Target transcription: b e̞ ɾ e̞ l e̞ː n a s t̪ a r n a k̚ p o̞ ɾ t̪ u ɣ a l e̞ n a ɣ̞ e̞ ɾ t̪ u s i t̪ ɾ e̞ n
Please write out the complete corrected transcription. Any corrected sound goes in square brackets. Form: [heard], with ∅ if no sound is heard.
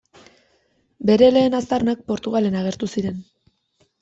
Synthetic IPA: b e̞ ɾ e̞ l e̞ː n a s t̪ a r n a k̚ p o̞ ɾ t̪ u ɣ a l e̞ n a ɣ̞ e̞ ɾ t̪ u s i [∅] ɾ e̞ n